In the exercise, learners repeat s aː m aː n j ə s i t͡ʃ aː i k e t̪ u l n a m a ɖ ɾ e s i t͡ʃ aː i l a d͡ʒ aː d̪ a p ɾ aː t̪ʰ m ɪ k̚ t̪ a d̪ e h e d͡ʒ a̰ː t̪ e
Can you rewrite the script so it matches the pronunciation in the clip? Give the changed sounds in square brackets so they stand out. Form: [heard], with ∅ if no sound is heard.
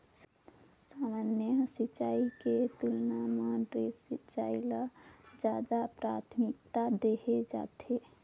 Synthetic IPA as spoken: s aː m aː n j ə s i t͡ʃ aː i k e t̪ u l n a m a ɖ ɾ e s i t͡ʃ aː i l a d͡ʒ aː d̪ a p ɾ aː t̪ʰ m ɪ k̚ t̪ a d̪ e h e d͡ʒ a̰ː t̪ e